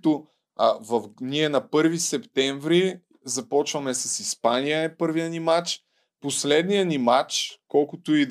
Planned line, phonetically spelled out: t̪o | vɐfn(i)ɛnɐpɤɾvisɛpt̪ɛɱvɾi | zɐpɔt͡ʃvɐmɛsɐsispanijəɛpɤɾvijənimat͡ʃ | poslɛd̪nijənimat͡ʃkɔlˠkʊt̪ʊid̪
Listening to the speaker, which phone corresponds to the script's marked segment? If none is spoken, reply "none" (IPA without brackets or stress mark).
i